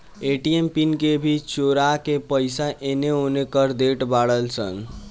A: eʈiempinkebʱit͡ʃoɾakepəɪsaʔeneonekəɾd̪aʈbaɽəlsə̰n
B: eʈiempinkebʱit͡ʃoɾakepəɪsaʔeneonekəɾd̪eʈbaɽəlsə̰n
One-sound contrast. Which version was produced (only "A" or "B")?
B